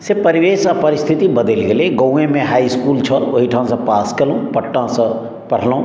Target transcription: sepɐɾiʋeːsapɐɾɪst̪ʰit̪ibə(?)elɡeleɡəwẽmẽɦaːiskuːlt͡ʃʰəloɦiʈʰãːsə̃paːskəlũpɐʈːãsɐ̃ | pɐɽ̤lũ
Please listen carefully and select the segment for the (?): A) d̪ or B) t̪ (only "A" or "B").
A